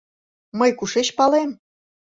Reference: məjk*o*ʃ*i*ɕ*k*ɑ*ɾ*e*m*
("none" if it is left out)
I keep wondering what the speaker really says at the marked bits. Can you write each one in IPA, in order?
u, e, p, l, m

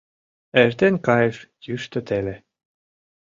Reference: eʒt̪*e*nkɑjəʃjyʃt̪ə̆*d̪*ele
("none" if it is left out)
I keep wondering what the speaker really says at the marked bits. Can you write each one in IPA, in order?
e, t̪

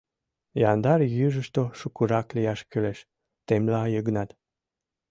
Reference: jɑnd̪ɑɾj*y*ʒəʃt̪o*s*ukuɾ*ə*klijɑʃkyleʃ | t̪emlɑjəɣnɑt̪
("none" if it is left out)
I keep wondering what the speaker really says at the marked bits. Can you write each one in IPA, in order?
y, ʃ, ɑ

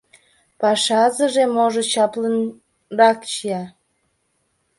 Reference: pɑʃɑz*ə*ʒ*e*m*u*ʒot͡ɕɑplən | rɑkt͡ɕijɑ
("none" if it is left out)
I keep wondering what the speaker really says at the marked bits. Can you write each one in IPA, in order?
ə, e, o

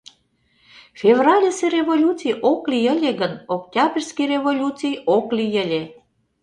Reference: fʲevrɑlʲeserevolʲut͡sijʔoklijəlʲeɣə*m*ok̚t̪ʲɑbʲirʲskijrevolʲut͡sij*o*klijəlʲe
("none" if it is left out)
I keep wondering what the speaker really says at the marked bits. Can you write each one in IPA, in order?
n, o

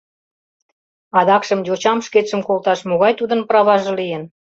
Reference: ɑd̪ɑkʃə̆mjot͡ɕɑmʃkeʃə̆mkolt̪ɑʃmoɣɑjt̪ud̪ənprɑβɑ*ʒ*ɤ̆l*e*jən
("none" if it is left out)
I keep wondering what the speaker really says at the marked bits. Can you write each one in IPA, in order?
ʒ, i

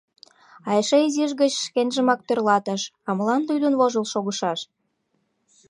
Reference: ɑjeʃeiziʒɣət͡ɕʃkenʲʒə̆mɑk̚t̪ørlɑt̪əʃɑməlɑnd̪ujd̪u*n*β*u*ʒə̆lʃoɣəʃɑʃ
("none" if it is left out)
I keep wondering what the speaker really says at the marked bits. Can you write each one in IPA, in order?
n, o

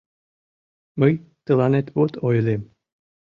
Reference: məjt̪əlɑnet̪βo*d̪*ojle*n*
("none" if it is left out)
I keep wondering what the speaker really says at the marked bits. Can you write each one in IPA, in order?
t̪, m

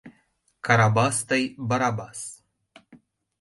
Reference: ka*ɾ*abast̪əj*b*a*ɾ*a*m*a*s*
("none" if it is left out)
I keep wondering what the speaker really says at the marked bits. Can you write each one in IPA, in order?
ɾ, b, ɾ, b, s

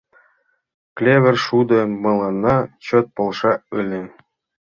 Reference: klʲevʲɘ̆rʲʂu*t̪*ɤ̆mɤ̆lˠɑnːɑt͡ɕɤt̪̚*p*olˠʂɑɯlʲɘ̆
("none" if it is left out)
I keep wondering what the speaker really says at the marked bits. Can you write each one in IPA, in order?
d̪, p

